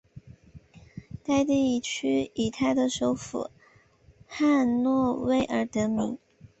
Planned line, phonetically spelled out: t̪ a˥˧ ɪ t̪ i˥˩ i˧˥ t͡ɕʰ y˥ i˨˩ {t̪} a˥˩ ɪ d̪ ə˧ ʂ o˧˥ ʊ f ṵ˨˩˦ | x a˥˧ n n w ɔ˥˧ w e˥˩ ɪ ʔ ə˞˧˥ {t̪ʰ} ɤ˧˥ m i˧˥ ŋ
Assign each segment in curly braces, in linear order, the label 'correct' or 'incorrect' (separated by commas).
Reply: incorrect, incorrect